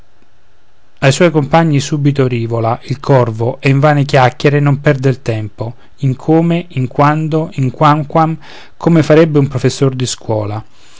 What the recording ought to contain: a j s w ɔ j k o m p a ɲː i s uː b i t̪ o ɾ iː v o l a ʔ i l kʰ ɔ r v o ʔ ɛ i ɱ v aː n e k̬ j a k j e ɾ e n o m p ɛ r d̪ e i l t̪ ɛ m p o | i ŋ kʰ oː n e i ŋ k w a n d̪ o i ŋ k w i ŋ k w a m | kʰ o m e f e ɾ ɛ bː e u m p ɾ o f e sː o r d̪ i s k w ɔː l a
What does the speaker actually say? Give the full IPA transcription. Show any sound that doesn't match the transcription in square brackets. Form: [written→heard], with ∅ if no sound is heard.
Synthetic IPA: a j s w ɔ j k o m p a ɲː i s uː b i t̪ o ɾ iː v o l a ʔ i l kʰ ɔ r v o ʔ ɛ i ɱ v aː n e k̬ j a k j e ɾ e n o m p ɛ r d̪ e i l t̪ ɛ m p o | i ŋ kʰ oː [n→m] e i ŋ k w a n d̪ o i ŋ k w [i→a] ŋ k w a m | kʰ o m e f [e→a] ɾ ɛ bː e u m p ɾ o f e sː o r d̪ i s k w ɔː l a